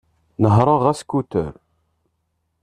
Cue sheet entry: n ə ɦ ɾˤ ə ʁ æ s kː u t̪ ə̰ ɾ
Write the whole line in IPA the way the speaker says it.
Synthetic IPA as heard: n ə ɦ ɾˤ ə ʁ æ s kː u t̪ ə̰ ɾ